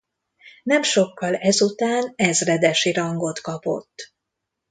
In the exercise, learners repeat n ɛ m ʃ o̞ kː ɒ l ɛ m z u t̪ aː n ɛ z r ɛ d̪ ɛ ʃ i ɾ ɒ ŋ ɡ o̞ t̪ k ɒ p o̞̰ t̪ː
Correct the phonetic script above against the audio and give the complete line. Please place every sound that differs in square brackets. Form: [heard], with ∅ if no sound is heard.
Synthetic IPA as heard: n ɛ m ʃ o̞ kː ɒ l ɛ [∅] z u t̪ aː n ɛ z r ɛ d̪ ɛ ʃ i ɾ ɒ ŋ ɡ o̞ t̪ k ɒ p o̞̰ t̪ː